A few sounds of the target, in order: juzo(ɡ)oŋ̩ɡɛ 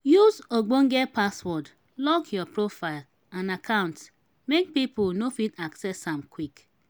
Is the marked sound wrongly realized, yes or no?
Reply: yes